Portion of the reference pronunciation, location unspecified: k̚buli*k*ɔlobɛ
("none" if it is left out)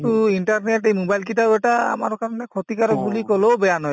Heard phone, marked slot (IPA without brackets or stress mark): k